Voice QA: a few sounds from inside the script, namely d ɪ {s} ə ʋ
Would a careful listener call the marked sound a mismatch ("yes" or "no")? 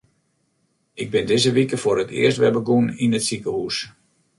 yes